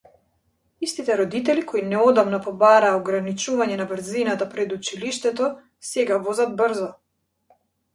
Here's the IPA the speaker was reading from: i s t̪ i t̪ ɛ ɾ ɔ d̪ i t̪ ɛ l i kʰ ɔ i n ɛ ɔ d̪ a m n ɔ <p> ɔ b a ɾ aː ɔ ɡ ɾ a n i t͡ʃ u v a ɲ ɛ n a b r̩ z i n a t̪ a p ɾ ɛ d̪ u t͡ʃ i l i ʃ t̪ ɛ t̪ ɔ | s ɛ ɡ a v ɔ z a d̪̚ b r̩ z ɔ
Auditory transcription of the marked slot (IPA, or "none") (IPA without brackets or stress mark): p